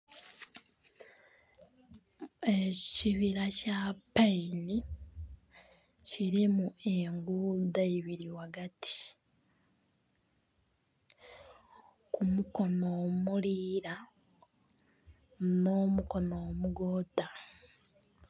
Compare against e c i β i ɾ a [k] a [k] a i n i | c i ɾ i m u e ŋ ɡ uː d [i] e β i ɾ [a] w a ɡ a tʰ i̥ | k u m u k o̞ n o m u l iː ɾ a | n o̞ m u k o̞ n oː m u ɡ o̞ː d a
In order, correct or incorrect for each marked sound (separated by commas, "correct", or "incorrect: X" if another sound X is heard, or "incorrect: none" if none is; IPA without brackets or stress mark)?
incorrect: c, incorrect: p, incorrect: a, incorrect: i